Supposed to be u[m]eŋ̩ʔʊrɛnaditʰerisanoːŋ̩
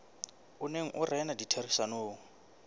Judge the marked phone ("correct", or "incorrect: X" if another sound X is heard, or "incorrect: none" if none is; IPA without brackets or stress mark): incorrect: n